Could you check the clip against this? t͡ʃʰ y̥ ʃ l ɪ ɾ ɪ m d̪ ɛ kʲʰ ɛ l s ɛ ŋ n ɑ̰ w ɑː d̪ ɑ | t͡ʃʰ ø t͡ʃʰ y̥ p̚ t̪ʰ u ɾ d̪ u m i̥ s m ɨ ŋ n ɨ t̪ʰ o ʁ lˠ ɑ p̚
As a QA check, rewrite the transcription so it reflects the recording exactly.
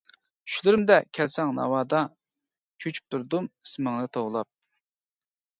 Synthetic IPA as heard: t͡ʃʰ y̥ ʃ l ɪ ɾ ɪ m d̪ ɛ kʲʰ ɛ l s ɛ ŋ n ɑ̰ w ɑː d̪ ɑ | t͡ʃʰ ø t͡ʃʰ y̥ p̚ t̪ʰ u ɾ d̪ u m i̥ s m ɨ ŋ n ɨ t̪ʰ o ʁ lˠ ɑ p̚

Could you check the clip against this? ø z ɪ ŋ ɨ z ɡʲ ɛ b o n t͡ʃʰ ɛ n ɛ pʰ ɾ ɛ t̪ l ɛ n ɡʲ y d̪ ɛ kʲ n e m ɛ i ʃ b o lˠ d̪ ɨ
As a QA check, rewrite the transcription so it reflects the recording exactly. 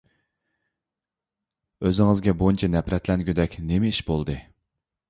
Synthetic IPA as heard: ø z ɪ ŋ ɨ z ɡʲ ɛ b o n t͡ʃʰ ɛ n ɛ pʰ ɾ ɛ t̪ l ɛ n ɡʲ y d̪ ɛ kʲ n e m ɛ i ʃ b o lˠ d̪ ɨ

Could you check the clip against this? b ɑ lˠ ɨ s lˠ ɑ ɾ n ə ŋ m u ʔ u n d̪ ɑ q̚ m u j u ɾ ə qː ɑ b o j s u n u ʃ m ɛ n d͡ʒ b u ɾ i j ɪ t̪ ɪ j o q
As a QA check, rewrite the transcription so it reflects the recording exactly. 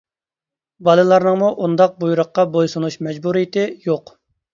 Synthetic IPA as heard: b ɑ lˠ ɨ lˠ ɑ ɾ n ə ŋ m u ʔ u n d̪ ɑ q̚ b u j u ɾ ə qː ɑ b o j s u n u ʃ m ɛ d͡ʒ b u ɾ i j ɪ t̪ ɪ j o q

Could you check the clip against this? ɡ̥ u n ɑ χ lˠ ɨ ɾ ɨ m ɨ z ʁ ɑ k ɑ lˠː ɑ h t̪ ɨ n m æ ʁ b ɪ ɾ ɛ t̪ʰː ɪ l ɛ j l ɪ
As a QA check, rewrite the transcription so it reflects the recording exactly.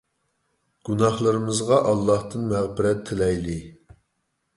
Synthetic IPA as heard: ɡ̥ u n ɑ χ lˠ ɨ ɾ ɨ m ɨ z ʁ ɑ ʔ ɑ lˠː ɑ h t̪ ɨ n m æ ʁ b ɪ ɾ ɛ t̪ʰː ɪ l ɛ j l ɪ

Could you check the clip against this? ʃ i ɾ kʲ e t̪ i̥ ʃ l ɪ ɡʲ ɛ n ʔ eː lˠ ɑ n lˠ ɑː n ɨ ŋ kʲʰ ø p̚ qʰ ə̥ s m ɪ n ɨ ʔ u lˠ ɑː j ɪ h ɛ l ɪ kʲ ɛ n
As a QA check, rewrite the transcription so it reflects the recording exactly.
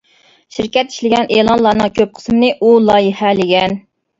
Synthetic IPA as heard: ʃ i ɾ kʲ ɛ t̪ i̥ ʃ l ɪ ɡʲ ɛ n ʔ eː lˠ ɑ n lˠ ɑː n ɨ ŋ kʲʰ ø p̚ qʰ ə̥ s m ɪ n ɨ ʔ u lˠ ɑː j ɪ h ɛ l ɪ ɡʲ ɛ n

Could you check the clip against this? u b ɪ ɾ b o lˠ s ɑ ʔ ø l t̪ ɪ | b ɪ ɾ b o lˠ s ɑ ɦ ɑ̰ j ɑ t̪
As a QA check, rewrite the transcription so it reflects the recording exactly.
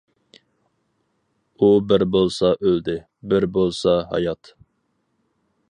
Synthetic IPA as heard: u b ɪ ɾ b o lˠ s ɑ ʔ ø l d̪ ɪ | b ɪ ɾ b o lˠ s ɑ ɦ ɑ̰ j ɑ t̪

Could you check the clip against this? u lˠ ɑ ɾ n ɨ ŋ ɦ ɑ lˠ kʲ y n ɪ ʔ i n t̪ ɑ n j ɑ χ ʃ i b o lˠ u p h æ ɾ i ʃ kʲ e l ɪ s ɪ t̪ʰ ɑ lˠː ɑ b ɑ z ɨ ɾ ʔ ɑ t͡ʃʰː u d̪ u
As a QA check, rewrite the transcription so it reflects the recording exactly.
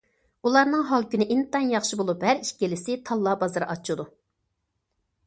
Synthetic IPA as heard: u lˠ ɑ ɾ n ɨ ŋ ɦ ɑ lˠ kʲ y n ɪ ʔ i n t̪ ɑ n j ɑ χ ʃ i b o lˠ u p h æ ɾ i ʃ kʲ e l ɪ s ɪ t̪ʰ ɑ lˠː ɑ b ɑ z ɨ ɾ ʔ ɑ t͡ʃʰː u d̪ u

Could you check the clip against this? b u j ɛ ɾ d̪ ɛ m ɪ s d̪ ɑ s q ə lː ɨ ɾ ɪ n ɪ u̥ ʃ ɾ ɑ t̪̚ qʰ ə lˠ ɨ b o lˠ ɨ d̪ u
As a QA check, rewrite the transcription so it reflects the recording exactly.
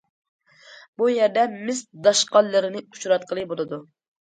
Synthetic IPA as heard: b u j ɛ ɾ d̪ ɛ m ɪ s d̪ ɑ ʃ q ɑ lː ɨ ɾ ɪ n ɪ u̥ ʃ ɾ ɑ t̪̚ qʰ ə lˠ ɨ b o lˠ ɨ d̪ u

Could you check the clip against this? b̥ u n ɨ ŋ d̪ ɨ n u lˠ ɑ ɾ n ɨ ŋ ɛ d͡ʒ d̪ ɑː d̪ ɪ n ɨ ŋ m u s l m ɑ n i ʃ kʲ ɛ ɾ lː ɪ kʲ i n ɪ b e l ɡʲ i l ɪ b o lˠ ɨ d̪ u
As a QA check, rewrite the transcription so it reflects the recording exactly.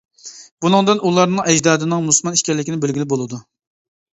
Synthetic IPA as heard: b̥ u n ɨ ŋ d̪ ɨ n u lˠ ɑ ɾ n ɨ ŋ ɛ d͡ʒ d̪ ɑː d̪ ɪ n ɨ ŋ m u s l m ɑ n i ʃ kʲ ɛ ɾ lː ɪ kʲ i n ɪ b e l ɡʲ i l ɪ b o lˠ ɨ d̪ u

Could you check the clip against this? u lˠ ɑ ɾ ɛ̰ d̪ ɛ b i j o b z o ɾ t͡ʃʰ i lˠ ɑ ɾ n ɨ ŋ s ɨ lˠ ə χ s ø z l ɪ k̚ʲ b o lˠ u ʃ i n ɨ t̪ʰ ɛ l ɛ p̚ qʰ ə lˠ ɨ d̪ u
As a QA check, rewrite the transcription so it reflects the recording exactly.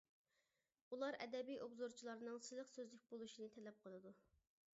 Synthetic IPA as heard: u lˠ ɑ ɾ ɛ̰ d̪ ɛ b i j o b z o ɾ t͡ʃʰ i lˠ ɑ ɾ n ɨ ŋ s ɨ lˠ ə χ s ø z l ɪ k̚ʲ b o lˠ u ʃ i n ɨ t̪ʰ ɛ l ɛ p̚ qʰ ə lˠ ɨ d̪ u

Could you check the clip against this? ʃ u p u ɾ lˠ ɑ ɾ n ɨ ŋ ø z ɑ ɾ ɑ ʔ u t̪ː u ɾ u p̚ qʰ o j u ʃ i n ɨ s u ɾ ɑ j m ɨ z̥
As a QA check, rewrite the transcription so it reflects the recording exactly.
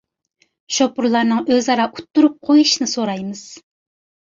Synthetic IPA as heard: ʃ o p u ɾ lˠ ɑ ɾ n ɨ ŋ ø z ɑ ɾ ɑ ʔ u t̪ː u ɾ u p̚ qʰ o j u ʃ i n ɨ s o ɾ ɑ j m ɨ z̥

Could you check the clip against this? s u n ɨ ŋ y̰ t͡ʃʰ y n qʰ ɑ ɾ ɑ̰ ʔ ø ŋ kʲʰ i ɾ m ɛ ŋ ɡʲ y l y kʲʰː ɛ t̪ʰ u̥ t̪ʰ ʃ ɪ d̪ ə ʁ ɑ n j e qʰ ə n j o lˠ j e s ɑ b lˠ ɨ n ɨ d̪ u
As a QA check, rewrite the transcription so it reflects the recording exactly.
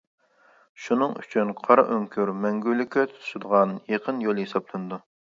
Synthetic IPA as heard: ʃ u n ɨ ŋ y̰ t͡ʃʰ y n qʰ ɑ ɾ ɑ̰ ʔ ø ŋ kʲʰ y ɾ m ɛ ŋ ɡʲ y l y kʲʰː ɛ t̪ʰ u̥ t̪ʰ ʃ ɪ d̪ ə ʁ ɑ n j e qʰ ə n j o lˠ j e s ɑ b lˠ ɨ n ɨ d̪ u

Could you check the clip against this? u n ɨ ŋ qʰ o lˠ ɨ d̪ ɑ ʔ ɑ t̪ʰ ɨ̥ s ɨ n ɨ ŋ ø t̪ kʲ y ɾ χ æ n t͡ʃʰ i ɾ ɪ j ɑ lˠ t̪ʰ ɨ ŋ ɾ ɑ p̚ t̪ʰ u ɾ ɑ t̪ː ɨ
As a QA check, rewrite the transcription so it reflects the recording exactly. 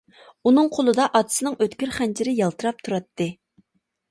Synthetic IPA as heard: u n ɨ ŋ qʰ o lˠ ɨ d̪ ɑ ʔ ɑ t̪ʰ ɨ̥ s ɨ n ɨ ŋ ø t̪ kʲ y ɾ χ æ n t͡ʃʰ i ɾ ɪ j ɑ lˠ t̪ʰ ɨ ɾ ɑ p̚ t̪ʰ u ɾ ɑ t̪ː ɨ

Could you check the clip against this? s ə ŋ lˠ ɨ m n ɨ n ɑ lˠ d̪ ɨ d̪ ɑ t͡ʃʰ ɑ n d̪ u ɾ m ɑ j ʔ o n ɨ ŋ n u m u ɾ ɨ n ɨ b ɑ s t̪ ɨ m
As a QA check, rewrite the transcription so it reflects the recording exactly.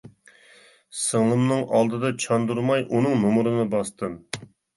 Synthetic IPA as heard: s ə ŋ lˠ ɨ m n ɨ ŋ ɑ lˠ d̪ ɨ d̪ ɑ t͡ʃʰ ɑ n d̪ u ɾ m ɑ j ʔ u n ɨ ŋ n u m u ɾ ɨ n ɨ b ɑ s t̪ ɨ m

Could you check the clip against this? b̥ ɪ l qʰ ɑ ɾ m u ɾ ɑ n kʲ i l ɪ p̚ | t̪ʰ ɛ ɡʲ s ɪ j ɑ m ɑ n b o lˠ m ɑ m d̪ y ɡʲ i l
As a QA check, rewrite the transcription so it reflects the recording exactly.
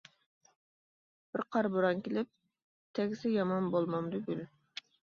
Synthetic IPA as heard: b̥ ɪ ɾ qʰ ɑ ɾ b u ɾ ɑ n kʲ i l ɪ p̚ | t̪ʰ ɛ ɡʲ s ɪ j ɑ m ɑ n b o lˠ m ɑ m d̪ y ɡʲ y l

